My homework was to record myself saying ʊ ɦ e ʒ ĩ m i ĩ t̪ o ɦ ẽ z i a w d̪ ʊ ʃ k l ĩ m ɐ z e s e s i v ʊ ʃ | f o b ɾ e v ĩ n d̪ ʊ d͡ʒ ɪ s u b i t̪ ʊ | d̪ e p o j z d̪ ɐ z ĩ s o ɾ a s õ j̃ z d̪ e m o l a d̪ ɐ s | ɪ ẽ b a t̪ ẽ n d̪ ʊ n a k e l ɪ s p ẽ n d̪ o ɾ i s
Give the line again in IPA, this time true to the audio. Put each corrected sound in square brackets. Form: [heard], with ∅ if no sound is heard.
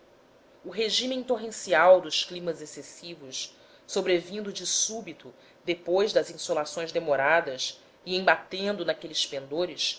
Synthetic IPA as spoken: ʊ ɦ e ʒ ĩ m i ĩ t̪ o ɦ ẽ [s] i a w d̪ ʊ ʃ k l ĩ m ɐ z e s e s i v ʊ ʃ | [s] o b ɾ e v ĩ n d̪ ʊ d͡ʒ ɪ s u b i t̪ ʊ | d̪ e p o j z d̪ ɐ z ĩ s o [l] a s õ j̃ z d̪ e m o [ɾ] a d̪ ɐ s | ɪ ẽ b a t̪ ẽ n d̪ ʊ n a k e l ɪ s p ẽ n d̪ o ɾ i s